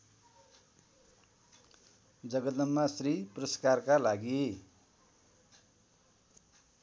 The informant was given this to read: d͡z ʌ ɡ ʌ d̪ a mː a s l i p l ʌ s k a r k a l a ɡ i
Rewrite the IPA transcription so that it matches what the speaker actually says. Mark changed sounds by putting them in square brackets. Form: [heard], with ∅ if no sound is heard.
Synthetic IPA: d͡z ʌ ɡ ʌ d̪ [ʌ] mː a s [r] i p [r] ʌ s k a r k a l a ɡ i